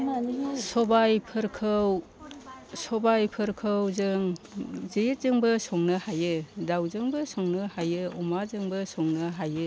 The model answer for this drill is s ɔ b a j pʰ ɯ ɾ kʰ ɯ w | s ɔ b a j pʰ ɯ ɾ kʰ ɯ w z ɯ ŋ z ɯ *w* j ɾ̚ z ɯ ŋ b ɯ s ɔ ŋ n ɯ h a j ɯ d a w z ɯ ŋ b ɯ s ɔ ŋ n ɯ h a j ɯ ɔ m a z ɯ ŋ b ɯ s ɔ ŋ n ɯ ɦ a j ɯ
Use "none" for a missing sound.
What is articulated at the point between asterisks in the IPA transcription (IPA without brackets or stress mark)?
none